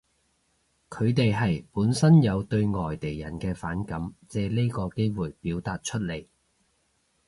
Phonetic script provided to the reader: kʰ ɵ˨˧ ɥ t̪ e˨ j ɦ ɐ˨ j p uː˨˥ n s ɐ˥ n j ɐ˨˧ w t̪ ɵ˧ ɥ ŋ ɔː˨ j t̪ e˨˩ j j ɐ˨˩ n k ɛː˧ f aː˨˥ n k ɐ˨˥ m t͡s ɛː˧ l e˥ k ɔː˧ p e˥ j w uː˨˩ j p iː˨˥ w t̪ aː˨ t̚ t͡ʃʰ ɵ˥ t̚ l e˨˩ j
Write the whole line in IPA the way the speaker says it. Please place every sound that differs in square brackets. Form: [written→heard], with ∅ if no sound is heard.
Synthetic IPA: kʰ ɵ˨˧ ɥ t̪ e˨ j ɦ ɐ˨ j p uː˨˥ n s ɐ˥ n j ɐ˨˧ w t̪ ɵ˧ ɥ ŋ ɔː˨ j t̪ e˨˩ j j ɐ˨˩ n k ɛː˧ f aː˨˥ n k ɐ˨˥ m t͡s ɛː˧ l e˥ k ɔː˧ [p→k] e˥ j w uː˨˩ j p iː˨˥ w t̪ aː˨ t̚ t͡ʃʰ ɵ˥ t̚ l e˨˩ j

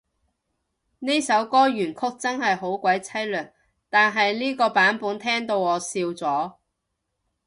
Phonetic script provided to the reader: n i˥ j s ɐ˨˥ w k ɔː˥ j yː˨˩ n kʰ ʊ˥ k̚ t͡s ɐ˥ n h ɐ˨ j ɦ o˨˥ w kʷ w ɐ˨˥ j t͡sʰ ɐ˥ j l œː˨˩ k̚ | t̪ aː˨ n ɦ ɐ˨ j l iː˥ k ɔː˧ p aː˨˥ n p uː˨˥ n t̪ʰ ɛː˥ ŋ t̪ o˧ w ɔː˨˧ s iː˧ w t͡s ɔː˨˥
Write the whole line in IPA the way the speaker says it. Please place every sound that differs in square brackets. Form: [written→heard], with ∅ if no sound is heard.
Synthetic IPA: n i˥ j s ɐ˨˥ w k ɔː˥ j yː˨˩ n kʰ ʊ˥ k̚ t͡s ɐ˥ n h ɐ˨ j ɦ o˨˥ w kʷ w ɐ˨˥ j t͡sʰ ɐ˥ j l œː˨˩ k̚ | t̪ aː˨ n ɦ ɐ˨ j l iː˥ k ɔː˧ p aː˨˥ n p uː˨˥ n t̪ʰ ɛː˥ ŋ t̪ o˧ w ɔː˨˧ s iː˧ w t͡s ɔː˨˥

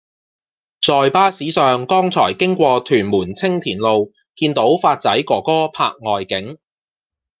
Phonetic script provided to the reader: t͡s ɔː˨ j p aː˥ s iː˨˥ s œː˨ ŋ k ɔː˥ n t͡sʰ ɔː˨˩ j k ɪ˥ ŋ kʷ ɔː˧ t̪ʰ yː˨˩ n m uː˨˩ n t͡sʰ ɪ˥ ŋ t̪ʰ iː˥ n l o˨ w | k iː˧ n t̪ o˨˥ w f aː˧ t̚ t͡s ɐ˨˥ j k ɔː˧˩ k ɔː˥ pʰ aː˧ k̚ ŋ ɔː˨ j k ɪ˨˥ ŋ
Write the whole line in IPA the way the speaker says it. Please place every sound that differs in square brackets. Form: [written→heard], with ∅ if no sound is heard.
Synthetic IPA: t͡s ɔː˨ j p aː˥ s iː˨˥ s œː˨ ŋ k ɔː˥ [n→ŋ] t͡sʰ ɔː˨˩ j k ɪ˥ ŋ kʷ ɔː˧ t̪ʰ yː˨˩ n m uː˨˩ n t͡sʰ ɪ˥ ŋ t̪ʰ [iː˥→iː˨˩] n l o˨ w | k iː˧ n t̪ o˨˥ w f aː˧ t̚ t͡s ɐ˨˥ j k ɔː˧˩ k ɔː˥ pʰ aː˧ k̚ ŋ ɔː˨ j k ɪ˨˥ ŋ

